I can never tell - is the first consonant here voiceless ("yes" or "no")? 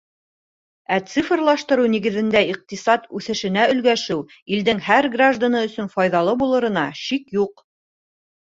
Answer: yes